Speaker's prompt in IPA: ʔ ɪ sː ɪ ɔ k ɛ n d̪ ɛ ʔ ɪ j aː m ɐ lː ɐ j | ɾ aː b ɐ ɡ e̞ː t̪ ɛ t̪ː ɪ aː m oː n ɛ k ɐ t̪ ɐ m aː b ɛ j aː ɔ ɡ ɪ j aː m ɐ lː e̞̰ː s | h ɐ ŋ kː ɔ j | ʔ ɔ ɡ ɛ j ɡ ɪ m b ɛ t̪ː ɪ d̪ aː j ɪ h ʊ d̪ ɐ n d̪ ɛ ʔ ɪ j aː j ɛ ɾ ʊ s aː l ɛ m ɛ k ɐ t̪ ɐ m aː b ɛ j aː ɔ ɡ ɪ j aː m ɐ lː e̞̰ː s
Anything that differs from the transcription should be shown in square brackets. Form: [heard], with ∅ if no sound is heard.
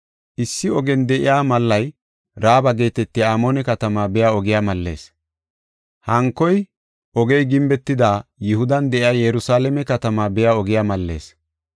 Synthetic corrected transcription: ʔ ɪ sː ɪ ɔ [ɡ] ɛ n d̪ ɛ ʔ ɪ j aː m ɐ lː ɐ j | ɾ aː b ɐ ɡ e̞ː t̪ ɛ t̪ː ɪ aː m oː n ɛ k ɐ t̪ ɐ m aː b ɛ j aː ɔ ɡ ɪ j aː m ɐ lː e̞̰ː s | h ɐ ŋ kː ɔ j | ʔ ɔ ɡ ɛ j ɡ ɪ m b ɛ t̪ː ɪ d̪ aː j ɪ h ʊ d̪ ɐ n d̪ ɛ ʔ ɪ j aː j ɛ ɾ ʊ s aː l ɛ m ɛ k ɐ t̪ ɐ m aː b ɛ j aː ɔ ɡ ɪ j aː m ɐ lː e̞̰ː s